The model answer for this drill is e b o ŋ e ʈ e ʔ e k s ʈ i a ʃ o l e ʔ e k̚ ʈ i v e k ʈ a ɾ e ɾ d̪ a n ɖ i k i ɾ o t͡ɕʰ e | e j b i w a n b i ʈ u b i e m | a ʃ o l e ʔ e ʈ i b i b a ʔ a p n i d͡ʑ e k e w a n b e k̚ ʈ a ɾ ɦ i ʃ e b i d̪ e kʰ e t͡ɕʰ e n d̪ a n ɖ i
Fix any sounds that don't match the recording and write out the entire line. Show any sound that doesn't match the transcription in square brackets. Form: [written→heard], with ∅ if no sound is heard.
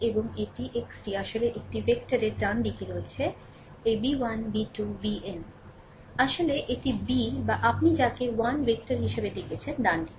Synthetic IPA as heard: e b o ŋ e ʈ [e→i] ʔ e k s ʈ i a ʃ o l e ʔ e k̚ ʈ i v e k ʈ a ɾ e ɾ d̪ a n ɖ i k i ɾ o t͡ɕʰ e | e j b i w a n b i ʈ u b i e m | a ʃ o l e ʔ e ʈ i b i b a ʔ a p n i d͡ʑ [e→a] k e w a n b e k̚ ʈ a ɾ ɦ i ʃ e b [i→e] d̪ e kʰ e t͡ɕʰ e n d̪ a n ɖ i

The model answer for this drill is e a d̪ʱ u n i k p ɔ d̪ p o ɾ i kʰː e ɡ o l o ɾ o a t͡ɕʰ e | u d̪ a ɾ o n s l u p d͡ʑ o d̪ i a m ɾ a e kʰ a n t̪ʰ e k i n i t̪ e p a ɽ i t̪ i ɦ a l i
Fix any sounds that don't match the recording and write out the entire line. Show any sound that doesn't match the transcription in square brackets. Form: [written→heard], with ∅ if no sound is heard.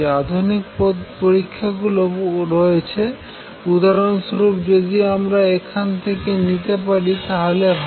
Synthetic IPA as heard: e a d̪ʱ u n i k p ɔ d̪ p o ɾ i kʰː [e→a] ɡ [o→u] l o ɾ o [a→e] t͡ɕʰ e | u d̪ a ɾ o n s [l→ɾ] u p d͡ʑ o d̪ i a m ɾ a e kʰ a n t̪ʰ e k [i→e] n i t̪ e p a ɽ i t̪ [i→a] ɦ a l [i→e]

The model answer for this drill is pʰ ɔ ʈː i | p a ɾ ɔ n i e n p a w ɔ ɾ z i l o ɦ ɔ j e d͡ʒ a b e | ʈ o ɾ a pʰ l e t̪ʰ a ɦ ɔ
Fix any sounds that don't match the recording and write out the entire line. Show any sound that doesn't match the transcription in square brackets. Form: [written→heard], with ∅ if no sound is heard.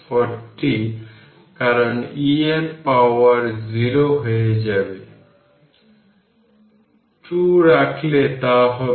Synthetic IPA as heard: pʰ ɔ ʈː i | [p→k] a ɾ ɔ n i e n p a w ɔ ɾ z i [l→ɾ] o ɦ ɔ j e d͡ʒ a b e | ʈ [o→u] ɾ a [pʰ→kʰ] l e [t̪ʰ→t̪] a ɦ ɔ

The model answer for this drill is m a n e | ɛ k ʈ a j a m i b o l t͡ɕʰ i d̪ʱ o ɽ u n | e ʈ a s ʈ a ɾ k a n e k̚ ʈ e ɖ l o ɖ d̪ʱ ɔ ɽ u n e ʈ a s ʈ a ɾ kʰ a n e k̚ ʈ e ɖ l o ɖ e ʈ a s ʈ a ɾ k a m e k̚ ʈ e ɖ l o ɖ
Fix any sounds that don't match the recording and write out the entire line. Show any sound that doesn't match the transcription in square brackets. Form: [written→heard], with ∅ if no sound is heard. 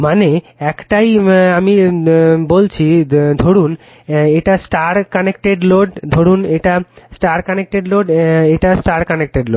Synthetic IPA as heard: m a n e | ɛ k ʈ a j a m i b o l t͡ɕʰ i d̪ʱ o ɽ u n | e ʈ a s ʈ a ɾ k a n e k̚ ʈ e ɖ l o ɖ d̪ʱ [ɔ→o] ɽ u n e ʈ a s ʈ a ɾ [kʰ→k] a n e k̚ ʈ e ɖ l o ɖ e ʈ a s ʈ a ɾ k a [m→n] e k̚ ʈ e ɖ l o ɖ

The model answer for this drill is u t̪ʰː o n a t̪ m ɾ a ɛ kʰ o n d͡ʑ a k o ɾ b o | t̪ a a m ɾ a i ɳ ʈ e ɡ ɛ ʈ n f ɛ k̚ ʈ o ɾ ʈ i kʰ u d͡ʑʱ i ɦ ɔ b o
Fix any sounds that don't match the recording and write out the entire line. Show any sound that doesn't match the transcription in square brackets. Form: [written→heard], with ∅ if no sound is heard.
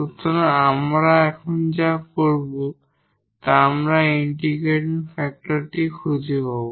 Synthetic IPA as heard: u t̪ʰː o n a [t̪→∅] m ɾ a ɛ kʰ o n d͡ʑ a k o ɾ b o | t̪ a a m ɾ a i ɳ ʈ [e→i] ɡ [ɛ→e] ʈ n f ɛ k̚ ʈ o ɾ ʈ i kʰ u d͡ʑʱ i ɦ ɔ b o

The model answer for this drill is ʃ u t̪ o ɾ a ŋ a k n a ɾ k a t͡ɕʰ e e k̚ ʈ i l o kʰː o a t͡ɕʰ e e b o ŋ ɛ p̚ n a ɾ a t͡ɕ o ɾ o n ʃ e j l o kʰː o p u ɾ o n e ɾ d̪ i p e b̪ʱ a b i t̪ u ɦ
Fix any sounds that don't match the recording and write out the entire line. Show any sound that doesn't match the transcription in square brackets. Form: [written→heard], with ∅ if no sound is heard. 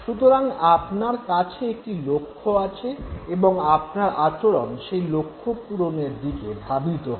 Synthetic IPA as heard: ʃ u t̪ o ɾ a ŋ a [k→p] n a ɾ k a t͡ɕʰ e e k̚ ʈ i l o kʰː o a t͡ɕʰ e e b o ŋ [ɛ→a] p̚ n a ɾ a t͡ɕ o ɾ o n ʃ e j l o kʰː o p u ɾ o n e ɾ d̪ i [p→k] e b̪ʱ a b i t̪ [u→o] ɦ

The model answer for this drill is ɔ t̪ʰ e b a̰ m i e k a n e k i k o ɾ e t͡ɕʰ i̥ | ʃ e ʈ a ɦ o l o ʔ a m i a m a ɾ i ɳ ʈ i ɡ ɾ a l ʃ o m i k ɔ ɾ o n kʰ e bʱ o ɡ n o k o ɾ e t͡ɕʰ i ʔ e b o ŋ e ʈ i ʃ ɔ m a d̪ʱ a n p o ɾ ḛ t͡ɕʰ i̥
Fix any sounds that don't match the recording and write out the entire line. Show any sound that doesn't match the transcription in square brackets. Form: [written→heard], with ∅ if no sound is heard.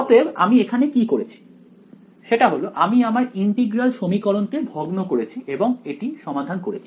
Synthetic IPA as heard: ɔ [t̪ʰ→t̪] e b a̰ m i e [k→kʰ] a n e k i k o ɾ e t͡ɕʰ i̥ | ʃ e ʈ a ɦ o l o ʔ a m i a m a ɾ i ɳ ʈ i ɡ ɾ a l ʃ o m i k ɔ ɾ o n [kʰ→k] e bʱ o ɡ n o k o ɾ e t͡ɕʰ i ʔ e b o ŋ e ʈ i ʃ ɔ m a d̪ʱ a n [p→k] o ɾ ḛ t͡ɕʰ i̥

